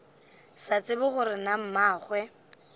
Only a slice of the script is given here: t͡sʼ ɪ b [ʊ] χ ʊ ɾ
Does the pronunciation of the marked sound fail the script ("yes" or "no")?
no